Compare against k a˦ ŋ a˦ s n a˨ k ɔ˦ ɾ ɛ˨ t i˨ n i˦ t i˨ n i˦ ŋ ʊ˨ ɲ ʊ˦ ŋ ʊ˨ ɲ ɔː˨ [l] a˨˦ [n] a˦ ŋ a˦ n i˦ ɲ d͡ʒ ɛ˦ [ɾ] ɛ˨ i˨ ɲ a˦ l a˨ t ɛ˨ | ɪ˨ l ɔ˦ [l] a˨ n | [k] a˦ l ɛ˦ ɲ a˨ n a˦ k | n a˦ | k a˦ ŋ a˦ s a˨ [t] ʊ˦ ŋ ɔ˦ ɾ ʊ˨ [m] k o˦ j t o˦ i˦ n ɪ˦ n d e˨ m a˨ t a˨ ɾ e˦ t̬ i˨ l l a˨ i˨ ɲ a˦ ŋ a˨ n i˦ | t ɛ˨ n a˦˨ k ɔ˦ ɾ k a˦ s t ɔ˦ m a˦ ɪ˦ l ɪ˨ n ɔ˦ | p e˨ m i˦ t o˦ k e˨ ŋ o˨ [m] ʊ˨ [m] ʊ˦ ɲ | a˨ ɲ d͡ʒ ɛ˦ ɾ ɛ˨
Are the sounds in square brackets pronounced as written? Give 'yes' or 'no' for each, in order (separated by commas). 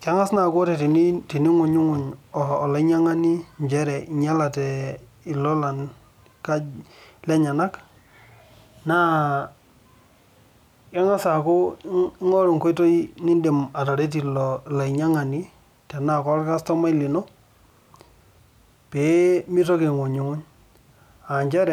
yes, no, yes, yes, yes, no, no, no, no